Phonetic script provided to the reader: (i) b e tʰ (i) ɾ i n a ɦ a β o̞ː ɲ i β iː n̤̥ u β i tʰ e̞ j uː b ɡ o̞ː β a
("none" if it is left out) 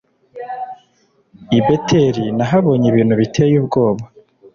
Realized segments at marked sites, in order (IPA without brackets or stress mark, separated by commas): i, e